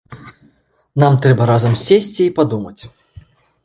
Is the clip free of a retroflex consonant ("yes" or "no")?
yes